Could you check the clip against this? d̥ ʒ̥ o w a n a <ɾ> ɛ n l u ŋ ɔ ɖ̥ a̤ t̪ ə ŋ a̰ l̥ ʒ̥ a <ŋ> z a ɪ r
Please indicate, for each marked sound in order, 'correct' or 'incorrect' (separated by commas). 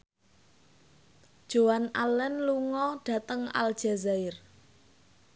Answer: incorrect, incorrect